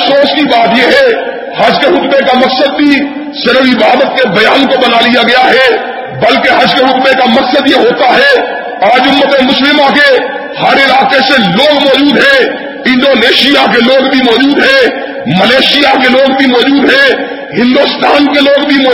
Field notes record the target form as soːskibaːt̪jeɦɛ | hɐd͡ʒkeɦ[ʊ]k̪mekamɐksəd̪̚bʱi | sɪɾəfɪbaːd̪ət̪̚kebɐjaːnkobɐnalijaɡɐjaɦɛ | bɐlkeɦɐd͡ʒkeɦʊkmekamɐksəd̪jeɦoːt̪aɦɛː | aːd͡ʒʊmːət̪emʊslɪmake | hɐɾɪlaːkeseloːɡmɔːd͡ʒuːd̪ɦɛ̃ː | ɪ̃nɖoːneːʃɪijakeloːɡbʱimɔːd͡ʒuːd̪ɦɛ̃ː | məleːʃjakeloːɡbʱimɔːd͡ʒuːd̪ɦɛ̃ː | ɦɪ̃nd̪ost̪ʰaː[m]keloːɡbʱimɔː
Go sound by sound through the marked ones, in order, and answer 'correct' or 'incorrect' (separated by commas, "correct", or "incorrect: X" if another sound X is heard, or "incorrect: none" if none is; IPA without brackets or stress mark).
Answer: correct, incorrect: n